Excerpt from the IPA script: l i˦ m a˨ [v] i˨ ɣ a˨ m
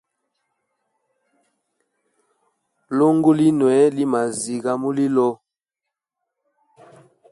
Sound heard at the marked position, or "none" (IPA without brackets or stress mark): z